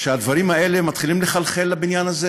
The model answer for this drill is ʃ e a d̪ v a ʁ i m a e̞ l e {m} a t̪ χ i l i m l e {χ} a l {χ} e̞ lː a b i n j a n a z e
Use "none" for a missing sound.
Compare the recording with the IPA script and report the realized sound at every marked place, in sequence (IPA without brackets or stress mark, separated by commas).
m, χ, χ